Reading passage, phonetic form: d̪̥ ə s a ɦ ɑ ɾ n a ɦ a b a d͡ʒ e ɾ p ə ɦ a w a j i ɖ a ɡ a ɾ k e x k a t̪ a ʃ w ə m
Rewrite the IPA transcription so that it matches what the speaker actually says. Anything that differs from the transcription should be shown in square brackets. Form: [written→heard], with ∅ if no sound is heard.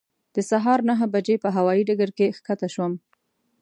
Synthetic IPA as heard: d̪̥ ə s a ɦ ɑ ɾ n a ɦ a b a d͡ʒ e [ɾ→∅] p ə ɦ a w [a→ɑ] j i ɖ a ɡ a ɾ k e x k a t̪ a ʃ w ə m